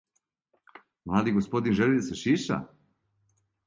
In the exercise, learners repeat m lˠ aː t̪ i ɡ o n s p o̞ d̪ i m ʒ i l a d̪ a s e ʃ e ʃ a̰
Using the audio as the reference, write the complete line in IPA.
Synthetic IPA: m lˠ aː d̪ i ɡ o s p o̞ d̪ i n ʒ e l i d̪ a s e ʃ i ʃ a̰